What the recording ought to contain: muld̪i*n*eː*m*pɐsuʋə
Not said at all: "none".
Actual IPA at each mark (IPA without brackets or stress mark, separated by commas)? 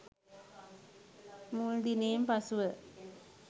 n, m